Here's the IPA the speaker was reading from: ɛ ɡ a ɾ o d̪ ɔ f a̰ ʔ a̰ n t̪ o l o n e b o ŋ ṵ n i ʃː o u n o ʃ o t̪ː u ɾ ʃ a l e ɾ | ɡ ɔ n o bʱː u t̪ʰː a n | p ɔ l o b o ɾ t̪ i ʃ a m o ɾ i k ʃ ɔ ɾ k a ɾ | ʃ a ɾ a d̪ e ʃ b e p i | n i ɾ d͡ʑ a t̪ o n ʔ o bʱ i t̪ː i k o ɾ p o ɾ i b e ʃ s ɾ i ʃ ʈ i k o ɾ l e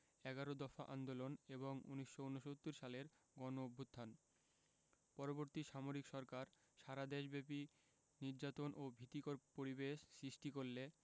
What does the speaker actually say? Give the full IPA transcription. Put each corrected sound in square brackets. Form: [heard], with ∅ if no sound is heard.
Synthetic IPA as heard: ɛ ɡ a ɾ o d̪ ɔ f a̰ ʔ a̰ n [d̪] o l o n e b o ŋ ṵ n i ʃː o u n o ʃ o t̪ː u ɾ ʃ a l e ɾ | ɡ ɔ n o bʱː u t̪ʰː a n | p ɔ [ɾ] o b o ɾ t̪ i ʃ a m o ɾ i k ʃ ɔ ɾ k a ɾ | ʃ a ɾ a d̪ e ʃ b e p i | n i ɾ d͡ʑ a t̪ o n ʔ o bʱ i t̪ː i k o ɾ p o ɾ i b e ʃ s ɾ i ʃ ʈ i k o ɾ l e